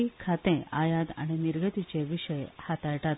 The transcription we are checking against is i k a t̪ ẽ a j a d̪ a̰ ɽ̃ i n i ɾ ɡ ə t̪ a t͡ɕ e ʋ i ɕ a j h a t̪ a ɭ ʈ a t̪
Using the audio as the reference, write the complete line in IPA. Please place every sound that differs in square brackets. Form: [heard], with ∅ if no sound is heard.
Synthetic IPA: i [kʰ] a t̪ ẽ a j a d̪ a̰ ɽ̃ i n i ɾ ɡ ə t̪ [i] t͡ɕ e ʋ i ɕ [ə] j h a t̪ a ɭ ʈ a t̪